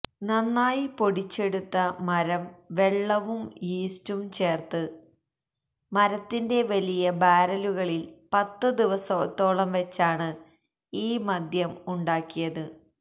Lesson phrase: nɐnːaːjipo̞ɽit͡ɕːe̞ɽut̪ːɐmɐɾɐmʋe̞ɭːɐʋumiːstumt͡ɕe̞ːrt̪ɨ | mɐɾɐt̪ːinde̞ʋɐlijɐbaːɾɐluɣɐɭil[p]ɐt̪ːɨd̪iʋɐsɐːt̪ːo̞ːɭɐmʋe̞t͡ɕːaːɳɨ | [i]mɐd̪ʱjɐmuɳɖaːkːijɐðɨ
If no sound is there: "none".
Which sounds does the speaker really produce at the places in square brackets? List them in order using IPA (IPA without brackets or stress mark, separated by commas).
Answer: p, iː